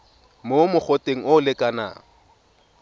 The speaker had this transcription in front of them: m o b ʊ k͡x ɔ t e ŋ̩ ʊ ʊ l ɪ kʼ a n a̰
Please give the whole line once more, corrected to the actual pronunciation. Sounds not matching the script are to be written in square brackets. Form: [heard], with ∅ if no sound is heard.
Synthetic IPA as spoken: m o [m] ʊ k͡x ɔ t e ŋ̩ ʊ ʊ l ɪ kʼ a n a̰